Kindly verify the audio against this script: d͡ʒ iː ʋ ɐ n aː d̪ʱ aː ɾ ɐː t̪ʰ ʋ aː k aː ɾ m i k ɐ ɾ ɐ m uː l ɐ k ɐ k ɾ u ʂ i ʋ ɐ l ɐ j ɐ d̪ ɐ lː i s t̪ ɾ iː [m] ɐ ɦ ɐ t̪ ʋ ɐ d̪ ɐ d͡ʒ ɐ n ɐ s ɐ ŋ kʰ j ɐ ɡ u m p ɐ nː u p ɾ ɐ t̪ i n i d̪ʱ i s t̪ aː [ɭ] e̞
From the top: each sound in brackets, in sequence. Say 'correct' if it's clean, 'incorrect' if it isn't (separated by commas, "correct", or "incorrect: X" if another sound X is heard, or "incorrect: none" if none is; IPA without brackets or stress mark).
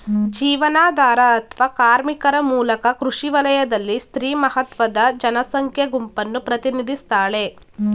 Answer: correct, correct